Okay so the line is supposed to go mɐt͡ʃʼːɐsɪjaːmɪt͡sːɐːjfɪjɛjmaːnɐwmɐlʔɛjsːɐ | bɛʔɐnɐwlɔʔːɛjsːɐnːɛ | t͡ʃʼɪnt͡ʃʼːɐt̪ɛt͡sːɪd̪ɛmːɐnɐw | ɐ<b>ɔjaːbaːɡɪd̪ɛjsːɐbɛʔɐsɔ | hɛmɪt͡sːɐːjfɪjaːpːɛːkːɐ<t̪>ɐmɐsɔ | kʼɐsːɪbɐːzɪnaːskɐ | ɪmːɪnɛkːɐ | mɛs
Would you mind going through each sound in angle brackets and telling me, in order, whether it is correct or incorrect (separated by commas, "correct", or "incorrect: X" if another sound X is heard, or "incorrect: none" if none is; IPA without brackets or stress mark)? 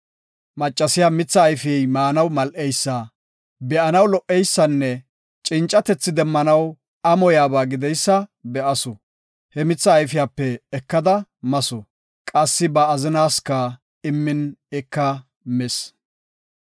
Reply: incorrect: m, incorrect: d̪